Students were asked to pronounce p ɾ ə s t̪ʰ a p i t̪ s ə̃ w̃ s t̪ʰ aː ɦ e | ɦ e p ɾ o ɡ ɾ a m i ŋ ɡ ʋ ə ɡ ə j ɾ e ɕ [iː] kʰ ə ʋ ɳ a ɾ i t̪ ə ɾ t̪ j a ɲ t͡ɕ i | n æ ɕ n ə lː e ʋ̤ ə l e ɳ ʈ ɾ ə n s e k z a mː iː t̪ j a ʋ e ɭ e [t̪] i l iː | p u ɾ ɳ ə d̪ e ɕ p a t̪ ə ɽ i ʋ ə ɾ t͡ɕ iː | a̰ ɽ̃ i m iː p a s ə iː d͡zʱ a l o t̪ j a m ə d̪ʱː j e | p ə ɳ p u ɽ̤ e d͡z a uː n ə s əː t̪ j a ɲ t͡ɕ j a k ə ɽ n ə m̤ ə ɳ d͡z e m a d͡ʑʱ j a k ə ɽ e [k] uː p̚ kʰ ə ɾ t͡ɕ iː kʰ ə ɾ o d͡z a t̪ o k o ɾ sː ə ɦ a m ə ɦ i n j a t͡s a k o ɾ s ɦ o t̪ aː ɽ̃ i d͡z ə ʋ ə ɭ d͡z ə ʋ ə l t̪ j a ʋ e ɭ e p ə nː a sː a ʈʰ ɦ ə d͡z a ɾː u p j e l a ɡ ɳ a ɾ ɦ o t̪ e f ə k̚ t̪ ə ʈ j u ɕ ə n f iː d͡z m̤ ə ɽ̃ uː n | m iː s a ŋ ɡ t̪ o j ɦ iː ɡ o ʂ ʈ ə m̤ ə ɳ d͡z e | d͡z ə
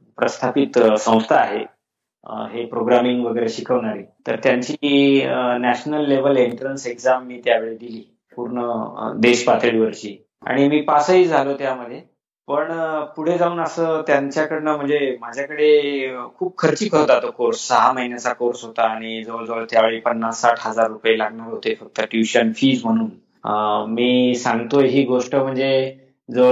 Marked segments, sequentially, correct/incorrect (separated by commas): incorrect, incorrect, incorrect